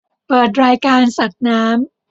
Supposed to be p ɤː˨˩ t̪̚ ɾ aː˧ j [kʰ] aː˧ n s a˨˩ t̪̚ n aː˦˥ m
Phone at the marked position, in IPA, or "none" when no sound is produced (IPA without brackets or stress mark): k